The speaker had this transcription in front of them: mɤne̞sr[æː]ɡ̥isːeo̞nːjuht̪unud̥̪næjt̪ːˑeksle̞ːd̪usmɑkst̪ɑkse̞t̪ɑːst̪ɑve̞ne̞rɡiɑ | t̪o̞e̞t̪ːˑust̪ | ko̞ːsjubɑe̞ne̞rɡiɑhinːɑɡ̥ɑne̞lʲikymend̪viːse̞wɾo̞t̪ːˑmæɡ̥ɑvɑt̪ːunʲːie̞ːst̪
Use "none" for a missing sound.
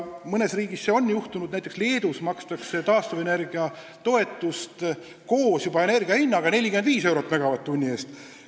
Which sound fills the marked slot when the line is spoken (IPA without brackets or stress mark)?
iː